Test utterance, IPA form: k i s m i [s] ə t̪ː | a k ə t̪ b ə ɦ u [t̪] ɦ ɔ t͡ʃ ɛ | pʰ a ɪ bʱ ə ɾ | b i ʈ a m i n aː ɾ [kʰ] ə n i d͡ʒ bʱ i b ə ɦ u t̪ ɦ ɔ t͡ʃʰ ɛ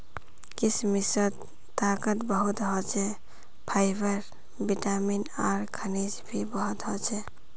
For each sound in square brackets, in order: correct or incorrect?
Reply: correct, correct, correct

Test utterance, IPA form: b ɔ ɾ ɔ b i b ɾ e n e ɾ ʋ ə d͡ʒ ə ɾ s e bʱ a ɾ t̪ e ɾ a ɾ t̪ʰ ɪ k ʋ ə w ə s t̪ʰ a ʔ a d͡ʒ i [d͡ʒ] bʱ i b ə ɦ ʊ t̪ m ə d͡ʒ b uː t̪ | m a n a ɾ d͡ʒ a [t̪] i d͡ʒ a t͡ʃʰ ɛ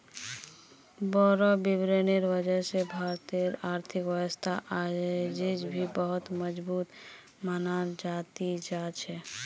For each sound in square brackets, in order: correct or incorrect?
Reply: correct, correct

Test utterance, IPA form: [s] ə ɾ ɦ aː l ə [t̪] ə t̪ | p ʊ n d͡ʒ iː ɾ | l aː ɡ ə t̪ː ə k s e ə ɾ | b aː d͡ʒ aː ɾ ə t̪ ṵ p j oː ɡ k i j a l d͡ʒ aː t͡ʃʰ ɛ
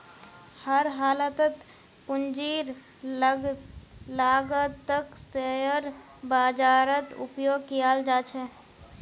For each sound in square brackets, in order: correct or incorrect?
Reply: incorrect: h, correct

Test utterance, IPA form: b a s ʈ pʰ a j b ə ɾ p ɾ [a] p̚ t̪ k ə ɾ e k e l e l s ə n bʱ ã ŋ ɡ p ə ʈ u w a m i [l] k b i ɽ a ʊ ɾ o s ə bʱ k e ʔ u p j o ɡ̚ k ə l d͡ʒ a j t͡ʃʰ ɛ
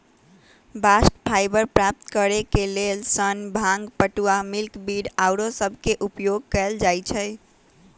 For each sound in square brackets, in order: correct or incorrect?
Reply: correct, correct

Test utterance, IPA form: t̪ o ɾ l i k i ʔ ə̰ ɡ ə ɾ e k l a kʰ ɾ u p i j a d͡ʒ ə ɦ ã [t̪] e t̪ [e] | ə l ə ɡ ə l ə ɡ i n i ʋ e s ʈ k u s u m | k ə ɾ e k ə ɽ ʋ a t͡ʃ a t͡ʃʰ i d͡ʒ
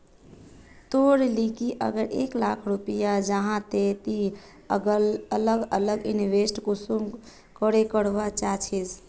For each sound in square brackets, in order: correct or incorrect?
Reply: correct, incorrect: i

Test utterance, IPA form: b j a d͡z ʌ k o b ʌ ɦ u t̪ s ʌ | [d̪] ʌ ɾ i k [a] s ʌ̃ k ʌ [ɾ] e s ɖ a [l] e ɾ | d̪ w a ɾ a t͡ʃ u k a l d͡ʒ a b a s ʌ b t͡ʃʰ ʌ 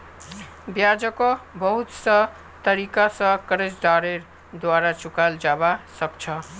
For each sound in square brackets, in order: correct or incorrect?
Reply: incorrect: t̪, correct, correct, incorrect: ɾ

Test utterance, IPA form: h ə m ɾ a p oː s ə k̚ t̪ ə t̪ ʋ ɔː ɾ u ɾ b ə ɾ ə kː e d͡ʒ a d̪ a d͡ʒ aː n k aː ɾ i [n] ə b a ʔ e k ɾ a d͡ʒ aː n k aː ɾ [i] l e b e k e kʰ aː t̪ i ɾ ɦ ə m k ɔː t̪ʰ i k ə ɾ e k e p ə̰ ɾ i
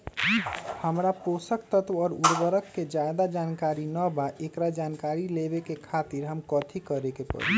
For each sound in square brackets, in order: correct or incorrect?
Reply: correct, correct

